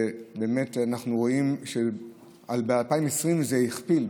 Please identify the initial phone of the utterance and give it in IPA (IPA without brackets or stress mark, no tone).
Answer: b